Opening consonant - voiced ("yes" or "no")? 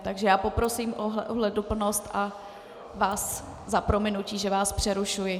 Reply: no